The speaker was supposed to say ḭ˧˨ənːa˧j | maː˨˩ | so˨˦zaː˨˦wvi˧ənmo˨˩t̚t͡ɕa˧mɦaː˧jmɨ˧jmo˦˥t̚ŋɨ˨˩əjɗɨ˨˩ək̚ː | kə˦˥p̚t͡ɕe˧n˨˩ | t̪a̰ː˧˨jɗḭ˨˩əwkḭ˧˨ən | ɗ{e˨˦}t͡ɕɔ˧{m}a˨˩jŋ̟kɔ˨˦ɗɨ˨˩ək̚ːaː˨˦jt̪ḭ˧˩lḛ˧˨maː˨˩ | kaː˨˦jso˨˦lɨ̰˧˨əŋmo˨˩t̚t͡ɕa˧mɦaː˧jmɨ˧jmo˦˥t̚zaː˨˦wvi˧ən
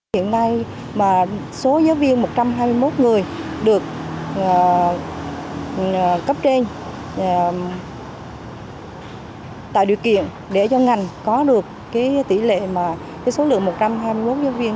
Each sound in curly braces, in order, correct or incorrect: incorrect: e˧˩, incorrect: ŋ

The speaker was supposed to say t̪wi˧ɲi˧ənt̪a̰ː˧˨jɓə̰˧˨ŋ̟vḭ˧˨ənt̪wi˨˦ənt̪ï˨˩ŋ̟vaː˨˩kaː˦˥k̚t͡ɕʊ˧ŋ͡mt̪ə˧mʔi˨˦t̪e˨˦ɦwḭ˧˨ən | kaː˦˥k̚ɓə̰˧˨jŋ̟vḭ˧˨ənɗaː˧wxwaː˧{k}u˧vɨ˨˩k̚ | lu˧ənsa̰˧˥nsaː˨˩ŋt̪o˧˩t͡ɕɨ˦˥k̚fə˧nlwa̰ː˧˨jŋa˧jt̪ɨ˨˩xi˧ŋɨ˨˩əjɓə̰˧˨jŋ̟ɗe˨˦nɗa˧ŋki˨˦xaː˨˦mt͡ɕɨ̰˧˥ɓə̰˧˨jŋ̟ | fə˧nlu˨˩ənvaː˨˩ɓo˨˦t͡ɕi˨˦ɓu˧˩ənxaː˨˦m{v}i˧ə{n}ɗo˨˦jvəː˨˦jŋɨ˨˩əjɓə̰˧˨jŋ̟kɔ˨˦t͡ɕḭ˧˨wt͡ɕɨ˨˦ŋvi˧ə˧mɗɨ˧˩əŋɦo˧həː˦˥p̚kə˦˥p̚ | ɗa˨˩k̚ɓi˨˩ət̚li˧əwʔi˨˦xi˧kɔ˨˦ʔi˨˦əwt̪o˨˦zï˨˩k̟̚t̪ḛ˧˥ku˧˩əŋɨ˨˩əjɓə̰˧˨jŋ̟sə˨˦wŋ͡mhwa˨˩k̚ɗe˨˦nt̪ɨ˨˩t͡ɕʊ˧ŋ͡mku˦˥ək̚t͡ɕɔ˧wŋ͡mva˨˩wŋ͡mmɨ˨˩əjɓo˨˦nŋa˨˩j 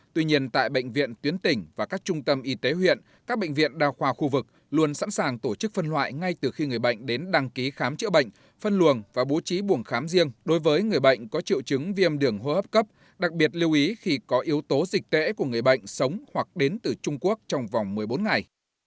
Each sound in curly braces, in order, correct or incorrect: incorrect: x, incorrect: z, incorrect: ŋ

